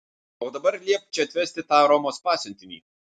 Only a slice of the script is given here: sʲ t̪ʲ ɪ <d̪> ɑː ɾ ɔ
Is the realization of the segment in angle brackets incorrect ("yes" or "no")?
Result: yes